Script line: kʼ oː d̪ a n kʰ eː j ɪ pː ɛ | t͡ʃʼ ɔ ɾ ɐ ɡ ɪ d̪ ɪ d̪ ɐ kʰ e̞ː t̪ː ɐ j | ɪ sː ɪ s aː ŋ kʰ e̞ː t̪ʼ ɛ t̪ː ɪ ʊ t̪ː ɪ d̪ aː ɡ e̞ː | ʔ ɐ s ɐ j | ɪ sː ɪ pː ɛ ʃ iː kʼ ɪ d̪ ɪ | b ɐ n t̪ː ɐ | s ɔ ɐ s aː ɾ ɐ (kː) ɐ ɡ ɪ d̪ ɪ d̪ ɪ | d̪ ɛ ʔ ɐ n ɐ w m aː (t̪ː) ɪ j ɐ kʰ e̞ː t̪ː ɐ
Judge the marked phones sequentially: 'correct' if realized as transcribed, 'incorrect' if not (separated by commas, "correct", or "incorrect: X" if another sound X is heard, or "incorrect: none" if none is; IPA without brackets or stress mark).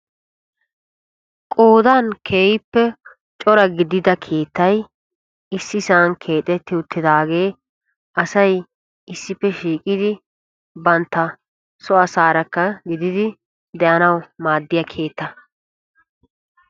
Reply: correct, incorrect: d̪ː